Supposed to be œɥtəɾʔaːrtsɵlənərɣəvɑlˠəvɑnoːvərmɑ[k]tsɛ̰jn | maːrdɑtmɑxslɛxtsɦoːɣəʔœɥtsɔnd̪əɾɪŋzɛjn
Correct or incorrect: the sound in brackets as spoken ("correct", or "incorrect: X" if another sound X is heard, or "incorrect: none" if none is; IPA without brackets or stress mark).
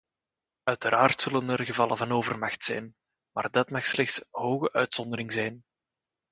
incorrect: x